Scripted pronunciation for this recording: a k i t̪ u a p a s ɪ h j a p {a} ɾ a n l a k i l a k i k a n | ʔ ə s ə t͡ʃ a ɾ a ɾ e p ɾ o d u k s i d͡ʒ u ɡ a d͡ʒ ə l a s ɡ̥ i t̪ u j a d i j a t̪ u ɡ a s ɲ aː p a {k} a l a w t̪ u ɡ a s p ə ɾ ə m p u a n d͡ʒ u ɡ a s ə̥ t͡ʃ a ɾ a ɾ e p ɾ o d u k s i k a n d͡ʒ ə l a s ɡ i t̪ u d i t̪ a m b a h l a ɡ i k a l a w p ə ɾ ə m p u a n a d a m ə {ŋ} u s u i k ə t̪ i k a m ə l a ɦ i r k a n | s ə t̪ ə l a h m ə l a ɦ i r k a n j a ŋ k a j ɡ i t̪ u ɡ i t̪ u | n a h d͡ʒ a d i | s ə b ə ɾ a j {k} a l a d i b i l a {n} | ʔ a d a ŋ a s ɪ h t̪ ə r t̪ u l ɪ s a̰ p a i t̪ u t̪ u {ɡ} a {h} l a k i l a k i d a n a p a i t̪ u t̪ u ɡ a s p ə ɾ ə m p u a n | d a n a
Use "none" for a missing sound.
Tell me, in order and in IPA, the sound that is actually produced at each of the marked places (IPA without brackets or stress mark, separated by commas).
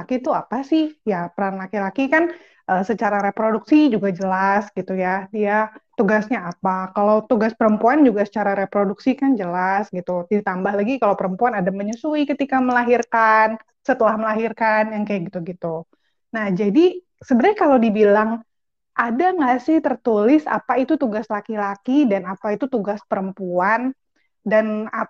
ə, k, ɲ, k, ŋ, ɡ, s